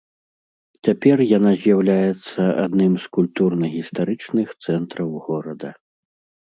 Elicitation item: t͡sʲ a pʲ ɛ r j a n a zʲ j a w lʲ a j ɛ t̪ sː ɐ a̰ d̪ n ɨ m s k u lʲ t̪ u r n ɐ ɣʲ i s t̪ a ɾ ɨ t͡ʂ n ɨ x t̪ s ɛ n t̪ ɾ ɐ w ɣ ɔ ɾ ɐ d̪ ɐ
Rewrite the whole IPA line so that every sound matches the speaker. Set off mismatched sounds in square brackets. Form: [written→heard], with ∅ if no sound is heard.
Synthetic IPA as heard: t͡sʲ a pʲ ɛ r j a n a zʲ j a w lʲ a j ɛ t̪ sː ɐ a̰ d̪ n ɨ m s k u lʲ t̪ u r n ɐ ɣʲ i s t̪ a ɾ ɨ t͡ʂ n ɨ x t̪ s ɛ n t̪ ɾ ɐ w ɣ ɔ ɾ ɐ d̪ ɐ